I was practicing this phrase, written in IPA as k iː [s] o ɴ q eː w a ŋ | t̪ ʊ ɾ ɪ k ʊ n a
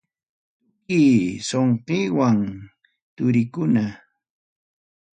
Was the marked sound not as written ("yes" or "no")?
no